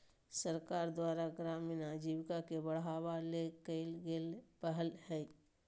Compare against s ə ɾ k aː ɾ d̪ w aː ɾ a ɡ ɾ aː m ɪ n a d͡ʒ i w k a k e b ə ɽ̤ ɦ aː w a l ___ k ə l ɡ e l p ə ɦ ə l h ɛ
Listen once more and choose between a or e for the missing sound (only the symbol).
e